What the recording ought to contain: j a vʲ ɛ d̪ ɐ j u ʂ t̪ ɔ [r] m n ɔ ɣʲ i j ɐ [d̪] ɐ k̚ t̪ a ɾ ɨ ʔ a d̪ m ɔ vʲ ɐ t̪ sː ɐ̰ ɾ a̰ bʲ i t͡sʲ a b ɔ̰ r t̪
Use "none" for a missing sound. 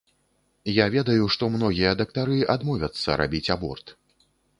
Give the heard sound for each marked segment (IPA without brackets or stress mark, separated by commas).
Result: none, d̪